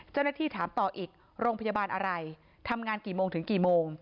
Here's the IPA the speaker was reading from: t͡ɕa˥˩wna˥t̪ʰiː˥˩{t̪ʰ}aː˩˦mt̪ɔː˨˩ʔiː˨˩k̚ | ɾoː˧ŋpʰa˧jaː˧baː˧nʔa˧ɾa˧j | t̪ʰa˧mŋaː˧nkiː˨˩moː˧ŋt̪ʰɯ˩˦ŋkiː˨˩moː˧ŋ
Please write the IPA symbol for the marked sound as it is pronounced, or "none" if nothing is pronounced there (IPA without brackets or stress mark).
t̪ʰ